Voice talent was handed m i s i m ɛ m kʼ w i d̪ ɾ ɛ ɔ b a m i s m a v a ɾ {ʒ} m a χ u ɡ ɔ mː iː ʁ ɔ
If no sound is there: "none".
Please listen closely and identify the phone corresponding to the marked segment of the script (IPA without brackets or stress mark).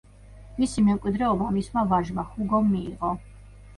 ʒ